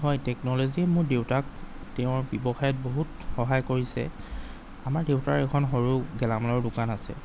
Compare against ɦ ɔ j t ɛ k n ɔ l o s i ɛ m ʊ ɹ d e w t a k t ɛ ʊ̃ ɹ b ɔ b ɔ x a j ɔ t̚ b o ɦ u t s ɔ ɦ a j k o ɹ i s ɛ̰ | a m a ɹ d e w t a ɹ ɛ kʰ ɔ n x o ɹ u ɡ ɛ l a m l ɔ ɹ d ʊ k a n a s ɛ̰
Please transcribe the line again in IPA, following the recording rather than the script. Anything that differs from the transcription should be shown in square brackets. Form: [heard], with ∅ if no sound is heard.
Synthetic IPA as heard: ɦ ɔ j t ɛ k n ɔ l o [z] i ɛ m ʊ ɹ d e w t a k t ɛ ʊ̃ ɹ b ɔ b ɔ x a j ɔ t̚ b o ɦ u t [x] ɔ ɦ a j k o ɹ i s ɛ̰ | a m a ɹ d e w t a ɹ ɛ kʰ ɔ n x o ɹ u ɡ ɛ l a m l ɔ ɹ d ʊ k a n a s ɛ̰